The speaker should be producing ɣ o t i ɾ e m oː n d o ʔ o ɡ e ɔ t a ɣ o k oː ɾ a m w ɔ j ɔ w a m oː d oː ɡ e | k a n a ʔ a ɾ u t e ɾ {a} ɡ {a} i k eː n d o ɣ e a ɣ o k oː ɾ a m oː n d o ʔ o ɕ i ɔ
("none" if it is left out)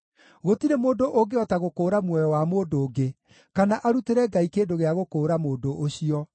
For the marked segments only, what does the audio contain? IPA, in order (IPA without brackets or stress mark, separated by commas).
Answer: ɛ, a